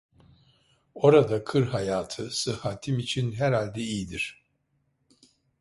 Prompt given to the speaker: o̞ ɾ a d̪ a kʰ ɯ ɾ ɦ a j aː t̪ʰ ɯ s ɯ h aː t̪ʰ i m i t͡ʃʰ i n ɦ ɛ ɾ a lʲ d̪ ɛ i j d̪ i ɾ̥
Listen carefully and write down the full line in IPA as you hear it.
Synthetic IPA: o̞ ɾ a d̪ a kʰ ɯ ɾ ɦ a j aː t̪ʰ ɯ s ɯ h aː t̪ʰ i m i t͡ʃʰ i n ɦ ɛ ɾ a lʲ d̪ ɛ i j d̪ i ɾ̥